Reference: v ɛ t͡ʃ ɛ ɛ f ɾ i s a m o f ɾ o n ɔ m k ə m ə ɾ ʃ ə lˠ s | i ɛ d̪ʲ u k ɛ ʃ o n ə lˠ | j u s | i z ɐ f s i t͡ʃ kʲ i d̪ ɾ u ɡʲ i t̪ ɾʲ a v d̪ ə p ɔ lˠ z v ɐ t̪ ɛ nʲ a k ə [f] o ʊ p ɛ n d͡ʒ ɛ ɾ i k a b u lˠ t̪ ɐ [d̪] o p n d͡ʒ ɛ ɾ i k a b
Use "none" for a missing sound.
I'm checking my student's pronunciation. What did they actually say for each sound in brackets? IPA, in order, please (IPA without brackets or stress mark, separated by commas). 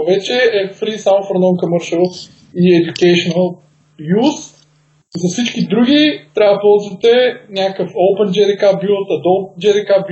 f, d̪